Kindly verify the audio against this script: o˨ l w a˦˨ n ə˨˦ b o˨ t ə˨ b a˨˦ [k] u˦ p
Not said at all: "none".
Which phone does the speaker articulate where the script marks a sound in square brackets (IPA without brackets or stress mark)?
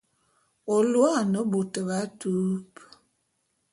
t